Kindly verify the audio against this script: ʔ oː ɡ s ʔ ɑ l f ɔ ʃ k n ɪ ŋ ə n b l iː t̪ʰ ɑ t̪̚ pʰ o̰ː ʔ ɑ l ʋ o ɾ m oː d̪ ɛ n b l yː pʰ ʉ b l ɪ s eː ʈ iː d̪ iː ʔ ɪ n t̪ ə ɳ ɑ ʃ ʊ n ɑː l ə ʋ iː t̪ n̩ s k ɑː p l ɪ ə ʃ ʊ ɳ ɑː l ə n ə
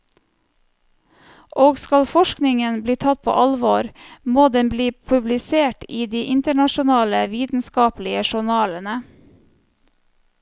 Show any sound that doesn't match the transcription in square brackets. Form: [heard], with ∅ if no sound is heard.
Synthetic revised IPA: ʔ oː ɡ s [k] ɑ l f ɔ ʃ k n ɪ ŋ ə n b l iː t̪ʰ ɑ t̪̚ pʰ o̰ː ʔ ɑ l ʋ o ɾ m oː d̪ ɛ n b l [iː] pʰ ʉ b l ɪ s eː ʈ iː d̪ iː ʔ ɪ n t̪ ə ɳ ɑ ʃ ʊ n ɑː l ə ʋ iː t̪ n̩ s k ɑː p l ɪ ə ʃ ʊ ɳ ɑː l ə n ə